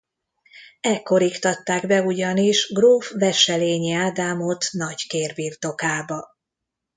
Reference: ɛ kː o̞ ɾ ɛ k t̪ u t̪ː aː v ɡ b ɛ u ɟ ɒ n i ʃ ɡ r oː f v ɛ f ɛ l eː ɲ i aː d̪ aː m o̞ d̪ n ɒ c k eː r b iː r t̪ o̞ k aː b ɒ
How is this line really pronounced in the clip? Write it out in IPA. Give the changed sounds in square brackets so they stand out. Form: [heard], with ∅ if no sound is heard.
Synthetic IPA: ɛ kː o̞ ɾ [i] k t̪ [ɒ] t̪ː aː [∅] ɡ b ɛ u ɟ ɒ n i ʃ ɡ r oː f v ɛ [ʃ] ɛ l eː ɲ i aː d̪ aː m o̞ [t̪] n ɒ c k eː r b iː r t̪ o̞ k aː b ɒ